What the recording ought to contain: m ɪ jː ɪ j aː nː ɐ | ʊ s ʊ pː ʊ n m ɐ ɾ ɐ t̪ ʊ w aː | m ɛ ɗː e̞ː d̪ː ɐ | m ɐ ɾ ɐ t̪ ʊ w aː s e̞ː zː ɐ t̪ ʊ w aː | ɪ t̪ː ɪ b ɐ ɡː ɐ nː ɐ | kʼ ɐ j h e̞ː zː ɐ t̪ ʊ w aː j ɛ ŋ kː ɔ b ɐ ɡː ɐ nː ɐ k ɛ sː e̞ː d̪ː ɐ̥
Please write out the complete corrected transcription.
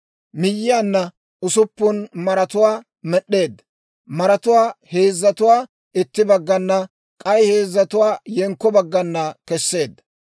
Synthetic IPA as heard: m ɪ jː ɪ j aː nː ɐ | ʊ s ʊ pː ʊ n m ɐ ɾ ɐ t̪ ʊ w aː | m ɛ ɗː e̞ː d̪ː ɐ | m ɐ ɾ ɐ t̪ ʊ w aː h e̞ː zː ɐ t̪ ʊ w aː | ɪ t̪ː ɪ b ɐ ɡː ɐ nː ɐ | kʼ ɐ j h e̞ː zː ɐ t̪ ʊ w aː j ɛ ŋ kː ɔ b ɐ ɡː ɐ nː ɐ k ɛ sː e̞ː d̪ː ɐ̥